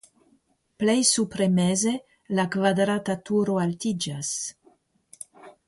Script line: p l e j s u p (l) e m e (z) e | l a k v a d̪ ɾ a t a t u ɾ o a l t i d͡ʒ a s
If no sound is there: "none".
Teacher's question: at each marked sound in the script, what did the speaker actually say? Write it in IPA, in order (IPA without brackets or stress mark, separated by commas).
ɾ, z